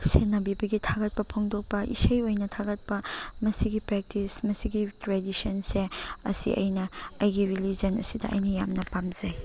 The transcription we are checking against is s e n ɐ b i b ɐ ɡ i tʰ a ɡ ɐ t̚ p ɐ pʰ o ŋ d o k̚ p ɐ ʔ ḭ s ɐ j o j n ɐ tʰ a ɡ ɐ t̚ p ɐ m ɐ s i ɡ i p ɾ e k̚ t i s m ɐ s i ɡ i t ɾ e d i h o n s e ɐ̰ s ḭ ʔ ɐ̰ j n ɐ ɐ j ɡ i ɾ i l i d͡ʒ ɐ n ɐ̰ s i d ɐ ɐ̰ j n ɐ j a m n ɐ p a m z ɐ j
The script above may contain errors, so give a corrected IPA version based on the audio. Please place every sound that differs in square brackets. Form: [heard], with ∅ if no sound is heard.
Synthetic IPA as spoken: s e n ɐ b i b ɐ ɡ i tʰ a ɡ ɐ t̚ p ɐ pʰ o ŋ d o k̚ p ɐ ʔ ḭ s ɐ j o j n ɐ tʰ a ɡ ɐ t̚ p ɐ m ɐ s i ɡ i p ɾ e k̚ t i s m ɐ s i ɡ i t ɾ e d i [s] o n s e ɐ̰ s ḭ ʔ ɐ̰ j n ɐ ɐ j ɡ i ɾ i l i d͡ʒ ɐ n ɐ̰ s i d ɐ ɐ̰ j n ɐ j a m n ɐ p a m z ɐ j